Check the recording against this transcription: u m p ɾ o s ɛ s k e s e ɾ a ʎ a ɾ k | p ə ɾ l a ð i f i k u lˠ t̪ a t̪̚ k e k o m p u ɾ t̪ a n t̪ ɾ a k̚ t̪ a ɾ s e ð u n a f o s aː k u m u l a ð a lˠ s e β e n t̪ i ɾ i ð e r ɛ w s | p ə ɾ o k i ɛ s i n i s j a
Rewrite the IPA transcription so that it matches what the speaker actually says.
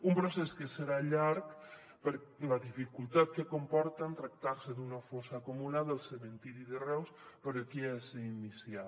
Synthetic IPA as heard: u m p ɾ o s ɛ s k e s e ɾ a ʎ a ɾ k | p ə ɾ l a ð i f i k u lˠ t̪ a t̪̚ k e k o m p ɔ ɾ t̪ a n t̪ ɾ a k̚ t̪ a ɾ s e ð u n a f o s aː k u m u l a ð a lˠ s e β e n t̪ i ɾ i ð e r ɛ w s | p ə ɾ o k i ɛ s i n i s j a